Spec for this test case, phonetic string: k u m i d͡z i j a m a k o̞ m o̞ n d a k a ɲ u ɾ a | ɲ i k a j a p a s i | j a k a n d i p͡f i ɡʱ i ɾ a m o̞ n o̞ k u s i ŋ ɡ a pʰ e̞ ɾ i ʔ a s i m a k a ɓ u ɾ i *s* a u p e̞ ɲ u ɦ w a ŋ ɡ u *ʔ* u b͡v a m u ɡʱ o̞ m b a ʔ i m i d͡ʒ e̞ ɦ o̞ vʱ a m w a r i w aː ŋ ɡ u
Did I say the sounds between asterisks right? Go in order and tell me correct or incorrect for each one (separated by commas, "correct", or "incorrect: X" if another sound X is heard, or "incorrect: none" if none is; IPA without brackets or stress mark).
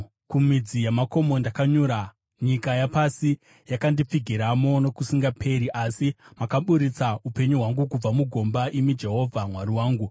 incorrect: t͡s, incorrect: k